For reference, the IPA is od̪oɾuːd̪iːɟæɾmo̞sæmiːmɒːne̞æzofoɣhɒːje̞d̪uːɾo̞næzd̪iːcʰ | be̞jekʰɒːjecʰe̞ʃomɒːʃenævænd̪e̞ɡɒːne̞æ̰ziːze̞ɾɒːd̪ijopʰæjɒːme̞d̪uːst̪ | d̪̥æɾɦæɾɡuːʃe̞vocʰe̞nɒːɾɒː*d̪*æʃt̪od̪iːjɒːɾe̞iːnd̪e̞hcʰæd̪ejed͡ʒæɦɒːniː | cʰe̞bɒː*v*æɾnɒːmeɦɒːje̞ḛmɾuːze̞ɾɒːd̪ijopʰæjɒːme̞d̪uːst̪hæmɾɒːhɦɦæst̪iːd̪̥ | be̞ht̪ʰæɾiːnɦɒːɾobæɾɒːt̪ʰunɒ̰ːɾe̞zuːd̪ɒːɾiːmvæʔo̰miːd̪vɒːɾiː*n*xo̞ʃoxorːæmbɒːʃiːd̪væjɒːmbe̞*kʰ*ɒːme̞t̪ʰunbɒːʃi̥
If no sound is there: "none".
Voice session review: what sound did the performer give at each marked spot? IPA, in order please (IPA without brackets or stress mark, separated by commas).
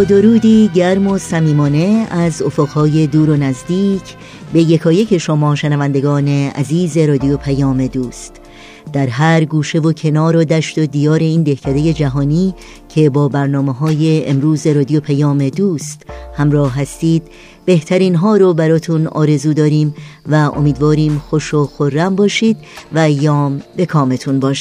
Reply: d̪, b, m, kʰ